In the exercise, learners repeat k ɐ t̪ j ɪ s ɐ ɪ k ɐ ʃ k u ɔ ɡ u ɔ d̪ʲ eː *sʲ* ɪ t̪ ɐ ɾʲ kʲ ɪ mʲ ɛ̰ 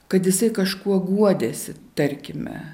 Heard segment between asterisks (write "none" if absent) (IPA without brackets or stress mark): sʲ